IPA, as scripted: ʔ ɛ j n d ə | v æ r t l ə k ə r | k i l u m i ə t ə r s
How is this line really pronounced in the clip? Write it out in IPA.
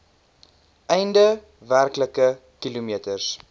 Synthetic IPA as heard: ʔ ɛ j n d ə | v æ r k l ə k ə | k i l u m i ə t ə r s